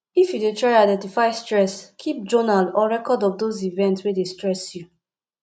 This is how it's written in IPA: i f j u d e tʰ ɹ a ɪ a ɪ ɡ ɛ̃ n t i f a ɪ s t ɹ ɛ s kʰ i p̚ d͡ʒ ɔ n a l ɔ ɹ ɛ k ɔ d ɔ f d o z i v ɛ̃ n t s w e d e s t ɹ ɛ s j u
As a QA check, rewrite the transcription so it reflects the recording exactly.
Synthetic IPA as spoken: i f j u d e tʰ ɹ a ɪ a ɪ d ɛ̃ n t i f a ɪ s t ɹ ɛ s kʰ i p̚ d͡ʒ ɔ n a l ɔ ɹ ɛ k ɔ d ɔ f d o z i v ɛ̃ n t s w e d e s t ɹ ɛ s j u

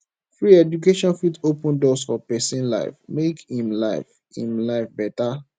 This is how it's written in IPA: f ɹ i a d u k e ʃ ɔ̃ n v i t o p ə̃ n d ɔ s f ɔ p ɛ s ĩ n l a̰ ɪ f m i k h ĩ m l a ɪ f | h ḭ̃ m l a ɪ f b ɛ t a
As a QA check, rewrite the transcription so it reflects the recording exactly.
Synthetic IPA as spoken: f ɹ i ɛ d u k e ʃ ɔ̃ n f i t o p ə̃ n d ɔ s f ɔ p ɛ s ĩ n l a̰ ɪ f m e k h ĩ m l a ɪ f | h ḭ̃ m l a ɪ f b ɛ t a

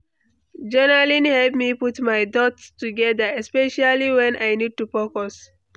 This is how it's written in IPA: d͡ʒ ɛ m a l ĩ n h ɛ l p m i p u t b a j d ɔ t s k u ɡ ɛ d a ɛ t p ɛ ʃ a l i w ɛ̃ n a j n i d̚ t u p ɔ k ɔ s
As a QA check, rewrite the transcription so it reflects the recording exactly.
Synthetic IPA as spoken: d͡ʒ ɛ n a l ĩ n h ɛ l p m i p u t m a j d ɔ t s t u ɡ ɛ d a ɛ s p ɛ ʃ a l i w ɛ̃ n a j n i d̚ t u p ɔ k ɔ s

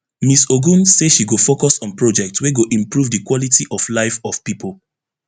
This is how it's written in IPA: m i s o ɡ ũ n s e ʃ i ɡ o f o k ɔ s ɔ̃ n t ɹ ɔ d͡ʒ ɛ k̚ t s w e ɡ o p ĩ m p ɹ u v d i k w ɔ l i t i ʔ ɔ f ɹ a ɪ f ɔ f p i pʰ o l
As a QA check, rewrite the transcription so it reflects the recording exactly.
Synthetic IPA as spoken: m i s o ɡ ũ n s e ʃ i ɡ o f o k ɔ s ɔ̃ n p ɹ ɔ d͡ʒ ɛ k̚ t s w e ɡ o ʔ ĩ m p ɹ u v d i k w ɔ l i t i ʔ ɔ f l a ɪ f ɔ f p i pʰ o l

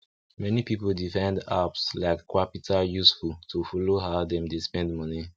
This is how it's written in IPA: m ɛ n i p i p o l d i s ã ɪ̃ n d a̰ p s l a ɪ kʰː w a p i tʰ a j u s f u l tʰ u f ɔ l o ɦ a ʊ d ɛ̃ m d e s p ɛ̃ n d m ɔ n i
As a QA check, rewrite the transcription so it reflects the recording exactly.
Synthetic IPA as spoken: m ɛ n i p i p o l d i f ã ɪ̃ n d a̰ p s l a ɪ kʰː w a p i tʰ a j u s f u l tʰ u f ɔ l o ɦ a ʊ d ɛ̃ m d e s p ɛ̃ n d m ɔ n i

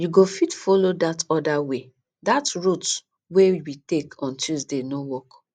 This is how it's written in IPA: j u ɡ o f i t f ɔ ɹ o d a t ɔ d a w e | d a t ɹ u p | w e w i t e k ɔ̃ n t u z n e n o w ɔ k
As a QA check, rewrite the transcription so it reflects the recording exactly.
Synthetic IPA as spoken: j u ɡ o f i t f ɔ l o d a t ɔ d a w e | d a t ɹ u t | w e w i t e k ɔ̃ n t u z d e n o w ɔ k

